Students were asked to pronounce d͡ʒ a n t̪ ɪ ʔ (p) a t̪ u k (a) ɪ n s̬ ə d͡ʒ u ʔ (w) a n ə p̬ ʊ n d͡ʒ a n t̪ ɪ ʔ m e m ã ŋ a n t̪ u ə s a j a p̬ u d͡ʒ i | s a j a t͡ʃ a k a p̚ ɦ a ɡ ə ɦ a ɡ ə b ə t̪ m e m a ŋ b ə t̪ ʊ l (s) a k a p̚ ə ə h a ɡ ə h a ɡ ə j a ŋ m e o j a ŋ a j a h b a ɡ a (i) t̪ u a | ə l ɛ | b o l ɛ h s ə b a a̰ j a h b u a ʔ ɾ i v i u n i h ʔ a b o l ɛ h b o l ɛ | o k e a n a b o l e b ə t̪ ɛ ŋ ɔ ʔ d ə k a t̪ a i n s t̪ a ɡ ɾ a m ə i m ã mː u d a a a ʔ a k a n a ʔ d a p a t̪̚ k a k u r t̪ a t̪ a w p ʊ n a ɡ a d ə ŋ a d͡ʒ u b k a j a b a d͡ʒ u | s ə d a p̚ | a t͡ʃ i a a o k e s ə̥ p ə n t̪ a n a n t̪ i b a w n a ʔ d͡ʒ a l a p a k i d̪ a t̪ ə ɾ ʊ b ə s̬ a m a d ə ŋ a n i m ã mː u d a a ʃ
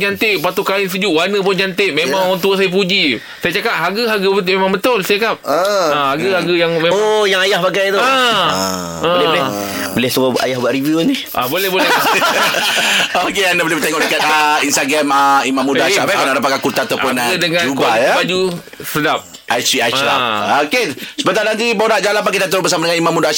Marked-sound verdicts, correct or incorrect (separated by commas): correct, correct, correct, correct, incorrect